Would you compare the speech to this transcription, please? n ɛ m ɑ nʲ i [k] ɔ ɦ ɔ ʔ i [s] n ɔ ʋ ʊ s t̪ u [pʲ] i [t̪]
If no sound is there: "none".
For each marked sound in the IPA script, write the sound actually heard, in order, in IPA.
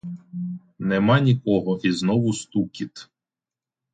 k, z, kʲ, t̪

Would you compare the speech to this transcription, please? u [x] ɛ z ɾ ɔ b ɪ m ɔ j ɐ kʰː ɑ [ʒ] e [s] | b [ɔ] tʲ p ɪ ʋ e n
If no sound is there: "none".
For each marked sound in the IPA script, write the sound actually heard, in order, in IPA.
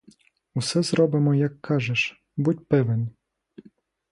s, ʒ, ʃ, u

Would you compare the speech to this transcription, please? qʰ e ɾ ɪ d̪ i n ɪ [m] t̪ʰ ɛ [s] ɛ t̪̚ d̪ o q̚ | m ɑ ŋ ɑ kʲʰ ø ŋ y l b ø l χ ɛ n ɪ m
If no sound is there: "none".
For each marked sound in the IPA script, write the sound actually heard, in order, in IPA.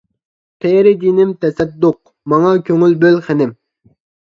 m, s

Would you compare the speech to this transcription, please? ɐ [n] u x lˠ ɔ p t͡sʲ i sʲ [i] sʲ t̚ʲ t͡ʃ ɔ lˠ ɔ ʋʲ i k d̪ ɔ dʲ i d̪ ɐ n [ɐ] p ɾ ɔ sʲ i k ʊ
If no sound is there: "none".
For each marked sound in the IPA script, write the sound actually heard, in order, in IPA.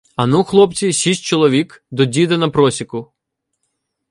n, i, ɐ

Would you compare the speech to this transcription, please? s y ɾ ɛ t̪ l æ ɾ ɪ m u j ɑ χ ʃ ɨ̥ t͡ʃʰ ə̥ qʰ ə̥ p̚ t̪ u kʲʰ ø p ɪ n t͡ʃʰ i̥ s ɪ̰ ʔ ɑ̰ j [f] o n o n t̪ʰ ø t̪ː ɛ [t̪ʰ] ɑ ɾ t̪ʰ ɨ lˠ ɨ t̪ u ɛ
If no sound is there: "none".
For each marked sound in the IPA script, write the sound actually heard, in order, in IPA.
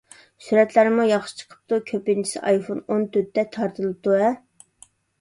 f, t̪ʰ

